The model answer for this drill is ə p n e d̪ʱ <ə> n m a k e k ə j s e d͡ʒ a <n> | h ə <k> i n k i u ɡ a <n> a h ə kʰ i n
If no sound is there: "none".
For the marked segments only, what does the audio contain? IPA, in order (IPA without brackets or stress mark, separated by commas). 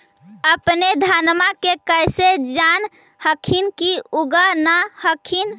a, n, kʰ, n